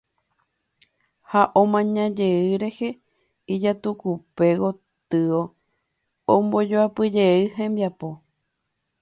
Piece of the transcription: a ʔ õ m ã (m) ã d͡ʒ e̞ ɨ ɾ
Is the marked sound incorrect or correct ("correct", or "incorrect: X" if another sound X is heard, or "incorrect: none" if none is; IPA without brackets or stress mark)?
incorrect: ɲ